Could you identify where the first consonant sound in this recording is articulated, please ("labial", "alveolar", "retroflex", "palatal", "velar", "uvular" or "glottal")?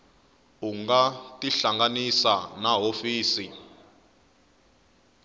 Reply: velar